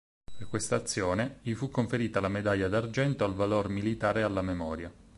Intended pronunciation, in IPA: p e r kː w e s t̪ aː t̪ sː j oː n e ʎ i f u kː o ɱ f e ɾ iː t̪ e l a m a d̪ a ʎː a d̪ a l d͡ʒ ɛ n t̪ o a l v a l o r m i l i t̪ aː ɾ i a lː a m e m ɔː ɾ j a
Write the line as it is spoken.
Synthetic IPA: p e r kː w e s t̪ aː t̪ sː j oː n e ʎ i f u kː o ɱ f e ɾ iː t̪ a l a m e d̪ a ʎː a d̪ a r d͡ʒ ɛ n t̪ o a l v a l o r m i l i t̪ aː ɾ e a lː a m e m ɔː ɾ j a